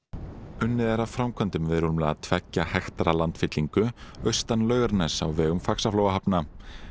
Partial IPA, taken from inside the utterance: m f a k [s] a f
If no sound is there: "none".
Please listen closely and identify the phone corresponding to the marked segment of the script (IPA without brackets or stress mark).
s